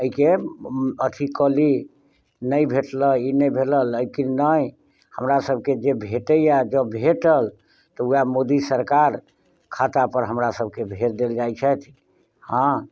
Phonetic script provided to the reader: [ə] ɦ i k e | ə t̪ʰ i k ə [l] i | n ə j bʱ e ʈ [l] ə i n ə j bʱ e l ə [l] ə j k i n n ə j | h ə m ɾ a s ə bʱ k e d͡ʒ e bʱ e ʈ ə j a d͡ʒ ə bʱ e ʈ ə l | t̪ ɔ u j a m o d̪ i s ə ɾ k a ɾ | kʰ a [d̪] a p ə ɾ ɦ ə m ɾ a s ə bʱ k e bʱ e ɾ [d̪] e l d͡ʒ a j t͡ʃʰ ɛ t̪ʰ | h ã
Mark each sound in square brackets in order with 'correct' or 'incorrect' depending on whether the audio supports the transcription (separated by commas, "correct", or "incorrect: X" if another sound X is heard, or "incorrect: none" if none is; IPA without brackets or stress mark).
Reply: correct, correct, correct, correct, incorrect: t̪, correct